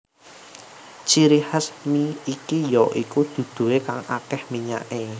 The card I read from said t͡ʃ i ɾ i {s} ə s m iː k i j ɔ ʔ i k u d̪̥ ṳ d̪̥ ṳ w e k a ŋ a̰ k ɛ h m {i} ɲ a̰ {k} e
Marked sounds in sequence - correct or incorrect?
incorrect, correct, incorrect

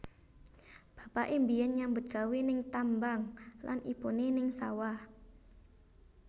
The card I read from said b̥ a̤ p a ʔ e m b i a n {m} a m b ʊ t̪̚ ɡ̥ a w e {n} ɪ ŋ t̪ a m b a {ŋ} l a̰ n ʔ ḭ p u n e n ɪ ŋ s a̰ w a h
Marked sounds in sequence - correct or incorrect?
incorrect, correct, correct

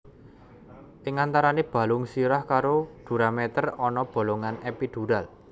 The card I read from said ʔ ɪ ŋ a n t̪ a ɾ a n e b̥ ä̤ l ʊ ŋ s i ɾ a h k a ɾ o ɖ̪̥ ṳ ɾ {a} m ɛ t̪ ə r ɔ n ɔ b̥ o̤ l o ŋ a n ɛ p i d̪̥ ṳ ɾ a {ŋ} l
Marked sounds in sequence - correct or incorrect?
correct, incorrect

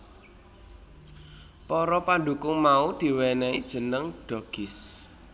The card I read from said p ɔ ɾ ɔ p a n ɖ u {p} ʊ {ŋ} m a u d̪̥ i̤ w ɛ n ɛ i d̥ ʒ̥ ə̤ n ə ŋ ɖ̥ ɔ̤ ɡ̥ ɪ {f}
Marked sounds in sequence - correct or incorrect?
incorrect, correct, incorrect

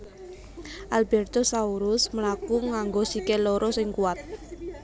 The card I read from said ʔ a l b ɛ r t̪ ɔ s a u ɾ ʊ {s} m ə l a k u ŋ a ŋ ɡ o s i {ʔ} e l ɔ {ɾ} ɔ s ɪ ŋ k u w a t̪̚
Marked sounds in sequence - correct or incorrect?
correct, incorrect, correct

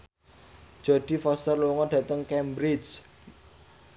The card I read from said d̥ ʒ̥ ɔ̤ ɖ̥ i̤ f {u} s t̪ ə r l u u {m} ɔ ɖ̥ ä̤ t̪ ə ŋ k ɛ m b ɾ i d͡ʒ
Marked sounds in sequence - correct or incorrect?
incorrect, incorrect

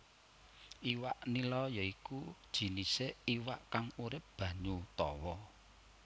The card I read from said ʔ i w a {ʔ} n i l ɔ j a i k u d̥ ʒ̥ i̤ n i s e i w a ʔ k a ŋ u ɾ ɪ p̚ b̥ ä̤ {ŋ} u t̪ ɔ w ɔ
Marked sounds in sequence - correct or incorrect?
correct, incorrect

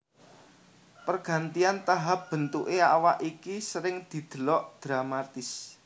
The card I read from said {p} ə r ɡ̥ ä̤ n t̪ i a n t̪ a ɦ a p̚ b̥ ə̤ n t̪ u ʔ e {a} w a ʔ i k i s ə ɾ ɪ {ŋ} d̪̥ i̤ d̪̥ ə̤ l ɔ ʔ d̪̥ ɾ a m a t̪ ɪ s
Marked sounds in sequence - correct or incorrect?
correct, correct, correct

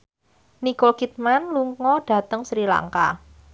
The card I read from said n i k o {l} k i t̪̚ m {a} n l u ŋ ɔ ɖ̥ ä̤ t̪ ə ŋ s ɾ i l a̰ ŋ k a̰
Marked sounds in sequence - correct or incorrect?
correct, correct

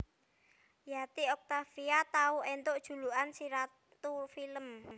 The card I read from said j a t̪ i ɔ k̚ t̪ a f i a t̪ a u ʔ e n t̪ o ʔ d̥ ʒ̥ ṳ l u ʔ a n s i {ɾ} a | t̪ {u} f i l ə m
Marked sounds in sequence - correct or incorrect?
correct, correct

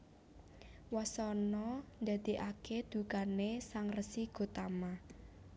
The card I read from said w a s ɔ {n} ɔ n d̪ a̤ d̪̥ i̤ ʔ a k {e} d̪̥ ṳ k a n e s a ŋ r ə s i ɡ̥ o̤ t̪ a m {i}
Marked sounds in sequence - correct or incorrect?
correct, correct, incorrect

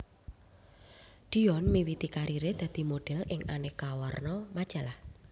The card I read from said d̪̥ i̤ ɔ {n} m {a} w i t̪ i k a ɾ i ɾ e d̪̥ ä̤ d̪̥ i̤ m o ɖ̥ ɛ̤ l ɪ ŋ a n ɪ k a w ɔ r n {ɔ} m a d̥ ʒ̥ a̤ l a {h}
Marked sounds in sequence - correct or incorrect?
correct, incorrect, correct, correct

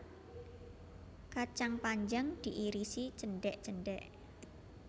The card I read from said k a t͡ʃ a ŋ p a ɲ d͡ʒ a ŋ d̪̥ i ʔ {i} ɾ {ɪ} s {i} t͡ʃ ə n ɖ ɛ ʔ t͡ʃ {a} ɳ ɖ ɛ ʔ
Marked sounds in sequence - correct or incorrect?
correct, incorrect, correct, incorrect

